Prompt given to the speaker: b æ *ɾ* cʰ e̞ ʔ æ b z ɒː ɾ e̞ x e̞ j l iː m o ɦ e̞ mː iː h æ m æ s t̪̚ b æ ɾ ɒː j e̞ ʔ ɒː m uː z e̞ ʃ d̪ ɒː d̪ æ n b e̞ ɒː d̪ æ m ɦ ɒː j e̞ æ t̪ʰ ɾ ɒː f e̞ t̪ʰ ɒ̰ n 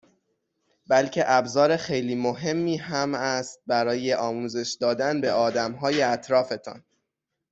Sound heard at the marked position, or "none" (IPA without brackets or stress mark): l